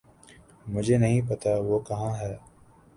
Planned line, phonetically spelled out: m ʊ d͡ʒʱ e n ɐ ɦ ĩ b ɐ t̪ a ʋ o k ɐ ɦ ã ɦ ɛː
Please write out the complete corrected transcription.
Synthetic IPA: m ʊ d͡ʒʱ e n ɐ ɦ ĩ p ɐ t̪ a ʋ o k ɐ ɦ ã ɦ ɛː